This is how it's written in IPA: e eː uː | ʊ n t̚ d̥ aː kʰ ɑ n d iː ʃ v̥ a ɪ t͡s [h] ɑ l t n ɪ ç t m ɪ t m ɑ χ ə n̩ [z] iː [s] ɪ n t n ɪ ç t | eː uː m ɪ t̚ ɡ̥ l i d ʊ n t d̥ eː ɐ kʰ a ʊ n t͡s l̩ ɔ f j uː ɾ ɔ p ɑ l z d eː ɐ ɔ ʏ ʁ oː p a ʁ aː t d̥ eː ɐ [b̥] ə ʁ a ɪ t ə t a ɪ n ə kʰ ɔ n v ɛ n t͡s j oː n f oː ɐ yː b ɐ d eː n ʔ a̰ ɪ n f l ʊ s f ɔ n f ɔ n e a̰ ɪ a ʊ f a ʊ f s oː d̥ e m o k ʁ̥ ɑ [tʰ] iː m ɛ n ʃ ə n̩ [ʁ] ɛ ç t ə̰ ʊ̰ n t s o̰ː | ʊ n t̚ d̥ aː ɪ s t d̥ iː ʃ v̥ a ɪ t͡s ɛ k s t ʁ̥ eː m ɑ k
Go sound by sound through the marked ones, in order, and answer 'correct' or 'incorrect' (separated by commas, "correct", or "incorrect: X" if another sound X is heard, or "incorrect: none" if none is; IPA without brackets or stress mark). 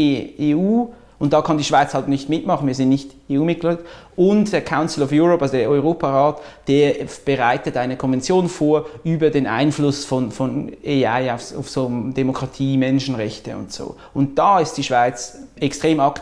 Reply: correct, incorrect: v, incorrect: z, correct, correct, correct